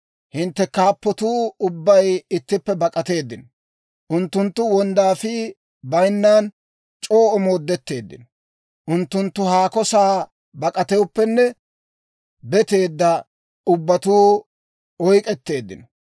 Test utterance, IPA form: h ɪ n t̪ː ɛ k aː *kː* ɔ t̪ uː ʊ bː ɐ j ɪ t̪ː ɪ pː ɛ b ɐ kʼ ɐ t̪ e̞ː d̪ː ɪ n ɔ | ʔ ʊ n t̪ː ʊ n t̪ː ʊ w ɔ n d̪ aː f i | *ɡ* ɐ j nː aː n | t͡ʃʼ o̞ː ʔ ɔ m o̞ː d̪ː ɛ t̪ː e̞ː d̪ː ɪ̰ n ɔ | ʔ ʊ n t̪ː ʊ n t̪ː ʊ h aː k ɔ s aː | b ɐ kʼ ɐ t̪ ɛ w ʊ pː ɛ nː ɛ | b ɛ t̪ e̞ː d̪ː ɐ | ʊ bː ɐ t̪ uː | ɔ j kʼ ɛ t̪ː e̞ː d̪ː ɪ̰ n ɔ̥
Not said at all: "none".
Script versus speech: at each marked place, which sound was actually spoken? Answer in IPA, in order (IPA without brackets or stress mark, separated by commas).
pː, b